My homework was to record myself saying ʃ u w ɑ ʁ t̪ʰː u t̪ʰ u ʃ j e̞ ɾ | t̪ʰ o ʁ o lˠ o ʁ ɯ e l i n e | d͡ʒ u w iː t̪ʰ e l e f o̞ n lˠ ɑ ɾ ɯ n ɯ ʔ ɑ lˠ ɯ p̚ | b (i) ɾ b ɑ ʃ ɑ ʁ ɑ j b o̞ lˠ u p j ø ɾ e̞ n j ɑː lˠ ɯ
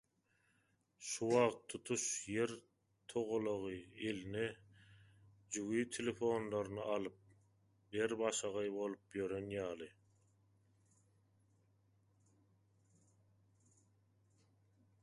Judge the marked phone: incorrect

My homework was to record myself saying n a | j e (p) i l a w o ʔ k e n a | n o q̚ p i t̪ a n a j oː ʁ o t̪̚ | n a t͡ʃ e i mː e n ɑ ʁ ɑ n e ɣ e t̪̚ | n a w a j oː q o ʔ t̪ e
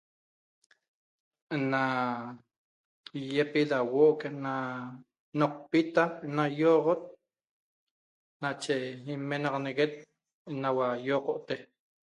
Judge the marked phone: correct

